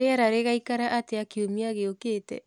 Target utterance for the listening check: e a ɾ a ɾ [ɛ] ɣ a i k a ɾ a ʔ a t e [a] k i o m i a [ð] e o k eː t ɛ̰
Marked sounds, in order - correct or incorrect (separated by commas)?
incorrect, correct, incorrect